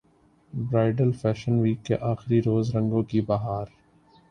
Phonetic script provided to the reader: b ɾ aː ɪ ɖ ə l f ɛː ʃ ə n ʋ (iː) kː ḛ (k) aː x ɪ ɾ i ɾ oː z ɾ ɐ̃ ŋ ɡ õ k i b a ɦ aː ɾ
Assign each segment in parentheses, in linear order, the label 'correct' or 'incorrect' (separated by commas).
correct, incorrect